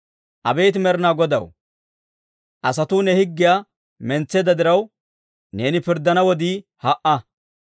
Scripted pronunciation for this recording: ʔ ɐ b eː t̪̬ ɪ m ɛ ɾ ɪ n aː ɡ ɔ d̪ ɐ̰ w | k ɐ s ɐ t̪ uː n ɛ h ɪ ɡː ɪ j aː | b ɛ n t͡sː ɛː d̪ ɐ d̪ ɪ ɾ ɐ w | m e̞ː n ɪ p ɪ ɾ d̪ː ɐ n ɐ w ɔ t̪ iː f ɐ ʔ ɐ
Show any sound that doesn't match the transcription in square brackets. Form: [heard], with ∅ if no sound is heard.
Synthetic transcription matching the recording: ʔ ɐ b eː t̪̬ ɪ m ɛ ɾ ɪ n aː ɡ ɔ d̪ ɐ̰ w | [ʔ] ɐ s ɐ t̪ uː n ɛ h ɪ ɡː ɪ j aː | [m] ɛ n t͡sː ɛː d̪ ɐ d̪ ɪ ɾ ɐ w | [n] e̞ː n ɪ p ɪ ɾ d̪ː ɐ n ɐ w ɔ [d̪] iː [h] ɐ ʔ ɐ